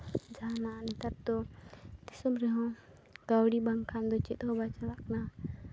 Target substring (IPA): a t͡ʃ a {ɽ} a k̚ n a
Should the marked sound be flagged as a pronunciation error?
yes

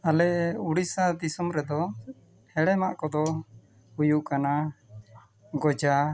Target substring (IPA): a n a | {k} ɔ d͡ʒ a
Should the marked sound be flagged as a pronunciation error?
yes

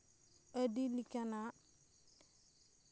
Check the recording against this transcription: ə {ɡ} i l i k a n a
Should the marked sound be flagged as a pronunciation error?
yes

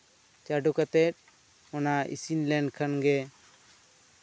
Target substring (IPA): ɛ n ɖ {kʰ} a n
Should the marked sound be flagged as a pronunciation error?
no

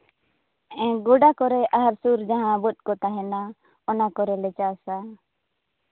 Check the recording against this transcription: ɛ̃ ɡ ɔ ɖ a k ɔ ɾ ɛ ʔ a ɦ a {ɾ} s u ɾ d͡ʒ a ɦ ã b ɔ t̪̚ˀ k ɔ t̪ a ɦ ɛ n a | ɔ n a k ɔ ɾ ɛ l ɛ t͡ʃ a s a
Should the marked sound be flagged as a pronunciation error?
no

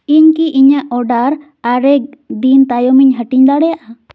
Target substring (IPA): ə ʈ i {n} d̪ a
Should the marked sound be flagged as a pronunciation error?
yes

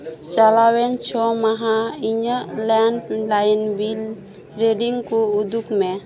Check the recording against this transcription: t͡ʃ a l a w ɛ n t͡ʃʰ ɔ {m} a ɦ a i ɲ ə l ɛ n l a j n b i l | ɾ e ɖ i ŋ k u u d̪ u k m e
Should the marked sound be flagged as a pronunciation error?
no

